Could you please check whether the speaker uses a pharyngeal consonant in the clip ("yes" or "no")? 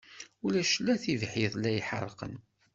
yes